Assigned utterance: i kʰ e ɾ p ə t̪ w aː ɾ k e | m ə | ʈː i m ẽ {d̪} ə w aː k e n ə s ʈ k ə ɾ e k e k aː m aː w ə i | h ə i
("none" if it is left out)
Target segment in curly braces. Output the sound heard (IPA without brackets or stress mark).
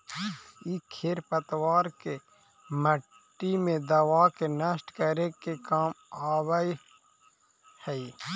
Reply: d̪